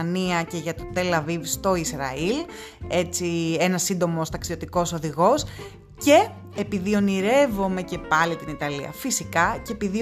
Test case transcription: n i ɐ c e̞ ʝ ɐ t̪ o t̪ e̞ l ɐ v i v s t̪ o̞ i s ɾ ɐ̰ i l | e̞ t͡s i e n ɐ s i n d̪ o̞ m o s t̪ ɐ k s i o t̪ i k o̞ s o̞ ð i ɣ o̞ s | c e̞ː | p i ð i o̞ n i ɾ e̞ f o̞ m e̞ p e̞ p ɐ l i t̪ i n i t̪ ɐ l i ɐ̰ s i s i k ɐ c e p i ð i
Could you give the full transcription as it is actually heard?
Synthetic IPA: n i ɐ c e̞ ʝ ɐ t̪ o t̪ e̞ l ɐ v i v s t̪ o̞ i s ɾ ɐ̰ i l | e̞ t͡s i e n ɐ s i n d̪ o̞ m o s t̪ ɐ k s i o t̪ i k o̞ s o̞ ð i ɣ o̞ s | c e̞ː | p i ð i o̞ n i ɾ e̞ v o̞ m e̞ c e̞ p ɐ l i t̪ i n i t̪ ɐ l i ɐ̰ f i s i k ɐ c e p i ð i